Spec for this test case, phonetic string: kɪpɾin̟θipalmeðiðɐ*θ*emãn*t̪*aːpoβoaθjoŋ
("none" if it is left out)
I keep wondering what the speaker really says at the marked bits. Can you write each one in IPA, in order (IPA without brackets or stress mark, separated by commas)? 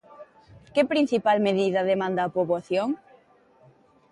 ð, d̪